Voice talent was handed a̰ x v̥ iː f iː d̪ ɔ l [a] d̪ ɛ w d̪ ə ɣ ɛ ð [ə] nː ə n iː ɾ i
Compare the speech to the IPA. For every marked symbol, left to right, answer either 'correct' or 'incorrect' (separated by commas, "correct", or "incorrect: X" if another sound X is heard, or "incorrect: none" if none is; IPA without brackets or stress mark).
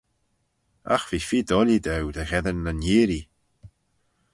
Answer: incorrect: i, correct